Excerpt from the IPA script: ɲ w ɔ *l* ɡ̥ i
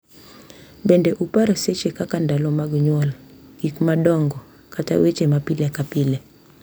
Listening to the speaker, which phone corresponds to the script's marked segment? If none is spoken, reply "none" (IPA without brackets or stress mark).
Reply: l